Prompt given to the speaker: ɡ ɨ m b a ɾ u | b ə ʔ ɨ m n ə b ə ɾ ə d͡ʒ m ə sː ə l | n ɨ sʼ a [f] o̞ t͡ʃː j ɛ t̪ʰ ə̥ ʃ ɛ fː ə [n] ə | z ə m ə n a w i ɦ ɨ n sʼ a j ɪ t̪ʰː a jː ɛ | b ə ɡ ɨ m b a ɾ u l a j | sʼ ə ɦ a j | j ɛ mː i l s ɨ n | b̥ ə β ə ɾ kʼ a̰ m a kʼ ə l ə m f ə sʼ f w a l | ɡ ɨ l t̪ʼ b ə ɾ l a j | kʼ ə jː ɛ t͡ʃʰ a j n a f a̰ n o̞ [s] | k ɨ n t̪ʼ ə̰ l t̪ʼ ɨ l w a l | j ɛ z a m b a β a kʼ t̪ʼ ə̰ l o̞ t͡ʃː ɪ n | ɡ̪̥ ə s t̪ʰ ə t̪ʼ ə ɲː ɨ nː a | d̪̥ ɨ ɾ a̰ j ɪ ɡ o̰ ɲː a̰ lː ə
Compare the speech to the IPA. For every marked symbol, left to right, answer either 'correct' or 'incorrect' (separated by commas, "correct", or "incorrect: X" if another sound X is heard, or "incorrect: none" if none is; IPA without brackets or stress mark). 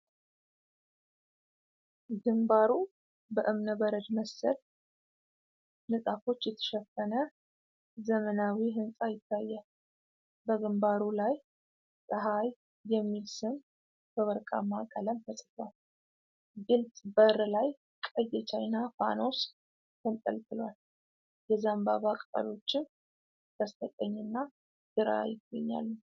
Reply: correct, correct, correct